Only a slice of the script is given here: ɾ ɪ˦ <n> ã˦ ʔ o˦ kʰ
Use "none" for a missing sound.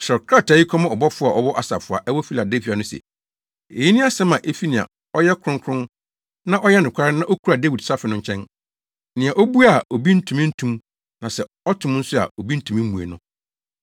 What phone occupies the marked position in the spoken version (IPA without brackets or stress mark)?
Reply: n